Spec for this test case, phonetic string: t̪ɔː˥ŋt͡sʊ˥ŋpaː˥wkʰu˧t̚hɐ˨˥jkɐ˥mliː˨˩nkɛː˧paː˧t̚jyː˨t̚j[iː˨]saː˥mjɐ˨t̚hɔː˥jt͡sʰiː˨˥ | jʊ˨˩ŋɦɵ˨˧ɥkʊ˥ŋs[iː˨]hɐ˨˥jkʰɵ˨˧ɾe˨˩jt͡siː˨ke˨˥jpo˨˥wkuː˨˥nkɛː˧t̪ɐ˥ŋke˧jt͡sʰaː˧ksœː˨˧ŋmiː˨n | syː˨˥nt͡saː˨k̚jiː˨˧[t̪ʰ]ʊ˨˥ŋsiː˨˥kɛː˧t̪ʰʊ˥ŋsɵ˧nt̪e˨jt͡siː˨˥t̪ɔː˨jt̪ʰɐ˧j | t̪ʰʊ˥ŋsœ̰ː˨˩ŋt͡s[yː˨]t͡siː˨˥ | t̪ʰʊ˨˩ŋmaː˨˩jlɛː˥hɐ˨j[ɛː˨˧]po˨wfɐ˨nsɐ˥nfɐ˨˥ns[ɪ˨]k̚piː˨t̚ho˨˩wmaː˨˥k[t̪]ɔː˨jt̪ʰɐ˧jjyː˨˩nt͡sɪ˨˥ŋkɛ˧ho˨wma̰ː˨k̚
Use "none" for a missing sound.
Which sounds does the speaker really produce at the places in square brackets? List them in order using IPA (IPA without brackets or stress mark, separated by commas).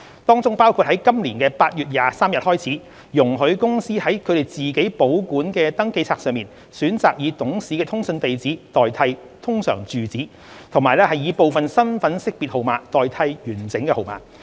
aː˨, iː˥, t̪, yː˨, iː˨˧, ɪ˥, t̪